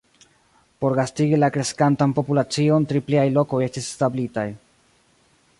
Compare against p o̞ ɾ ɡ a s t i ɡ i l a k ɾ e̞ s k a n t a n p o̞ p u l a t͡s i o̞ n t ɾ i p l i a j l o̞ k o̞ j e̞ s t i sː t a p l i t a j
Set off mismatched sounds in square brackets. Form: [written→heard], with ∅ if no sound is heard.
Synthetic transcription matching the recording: p o̞ ɾ ɡ a s t i ɡ i l a k ɾ e̞ s k a n t a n p o̞ p u l a t͡s i o̞ n t ɾ i p l i a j l o̞ k o̞ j e̞ s t i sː t a [p→b] l i t a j